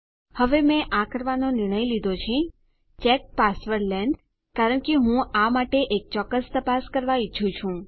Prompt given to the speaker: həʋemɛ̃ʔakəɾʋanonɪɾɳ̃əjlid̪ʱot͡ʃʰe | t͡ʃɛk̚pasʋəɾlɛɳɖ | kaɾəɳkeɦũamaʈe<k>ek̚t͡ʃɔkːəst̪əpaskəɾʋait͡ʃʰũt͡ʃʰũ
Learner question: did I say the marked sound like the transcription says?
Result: no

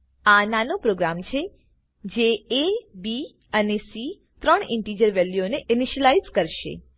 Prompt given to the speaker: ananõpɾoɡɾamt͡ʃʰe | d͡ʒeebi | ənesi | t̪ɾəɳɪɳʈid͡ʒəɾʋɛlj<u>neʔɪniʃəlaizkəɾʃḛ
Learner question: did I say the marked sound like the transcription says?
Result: no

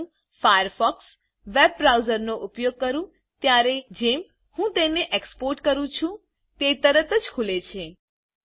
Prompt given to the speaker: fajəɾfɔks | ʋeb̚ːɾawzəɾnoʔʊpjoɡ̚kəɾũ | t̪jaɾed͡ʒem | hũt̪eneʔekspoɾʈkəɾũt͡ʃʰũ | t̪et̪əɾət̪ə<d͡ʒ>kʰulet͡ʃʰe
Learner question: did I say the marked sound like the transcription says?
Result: yes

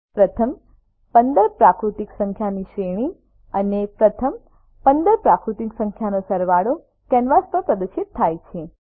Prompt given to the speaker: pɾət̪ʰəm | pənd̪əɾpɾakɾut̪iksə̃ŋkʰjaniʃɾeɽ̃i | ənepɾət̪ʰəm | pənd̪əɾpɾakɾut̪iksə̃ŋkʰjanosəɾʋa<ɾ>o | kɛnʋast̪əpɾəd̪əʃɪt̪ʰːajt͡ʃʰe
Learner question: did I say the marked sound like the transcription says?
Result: no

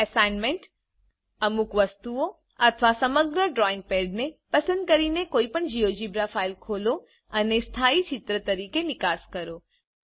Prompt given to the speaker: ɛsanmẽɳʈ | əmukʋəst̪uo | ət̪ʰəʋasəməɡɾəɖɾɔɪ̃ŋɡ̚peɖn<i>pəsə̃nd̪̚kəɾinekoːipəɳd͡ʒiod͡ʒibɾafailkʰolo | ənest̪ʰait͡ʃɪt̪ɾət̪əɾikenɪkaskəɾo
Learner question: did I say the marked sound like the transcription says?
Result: no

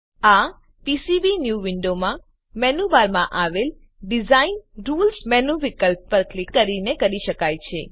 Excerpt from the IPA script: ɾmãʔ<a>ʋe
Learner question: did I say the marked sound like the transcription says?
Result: yes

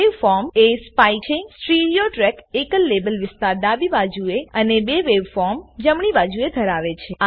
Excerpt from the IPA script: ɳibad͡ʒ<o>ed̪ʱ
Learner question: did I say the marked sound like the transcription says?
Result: no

